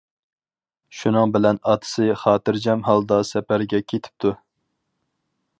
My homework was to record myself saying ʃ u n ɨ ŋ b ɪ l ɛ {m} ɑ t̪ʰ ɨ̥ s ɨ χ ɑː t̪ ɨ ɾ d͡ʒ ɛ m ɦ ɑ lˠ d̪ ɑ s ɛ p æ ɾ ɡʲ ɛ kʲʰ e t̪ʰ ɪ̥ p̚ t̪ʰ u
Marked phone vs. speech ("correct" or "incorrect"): incorrect